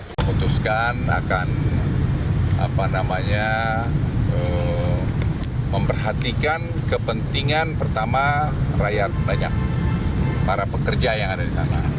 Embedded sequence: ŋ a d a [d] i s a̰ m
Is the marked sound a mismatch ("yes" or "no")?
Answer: no